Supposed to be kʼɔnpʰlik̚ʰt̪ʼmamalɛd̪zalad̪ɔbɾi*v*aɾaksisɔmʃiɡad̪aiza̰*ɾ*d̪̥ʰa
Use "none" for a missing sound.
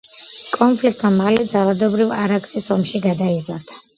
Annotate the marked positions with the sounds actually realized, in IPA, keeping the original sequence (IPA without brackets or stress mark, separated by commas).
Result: v, ɾ